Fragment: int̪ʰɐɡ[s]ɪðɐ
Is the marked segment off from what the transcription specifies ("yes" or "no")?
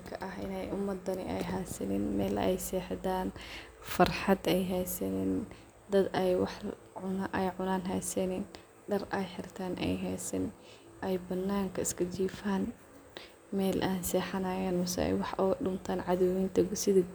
no